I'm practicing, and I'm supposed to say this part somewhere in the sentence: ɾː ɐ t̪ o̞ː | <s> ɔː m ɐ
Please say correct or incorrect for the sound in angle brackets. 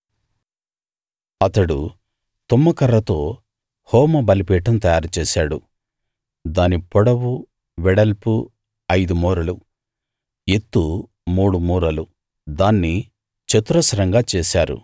incorrect